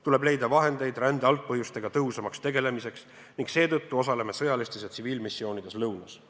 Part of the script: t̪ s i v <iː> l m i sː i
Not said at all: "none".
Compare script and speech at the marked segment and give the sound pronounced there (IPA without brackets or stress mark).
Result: iː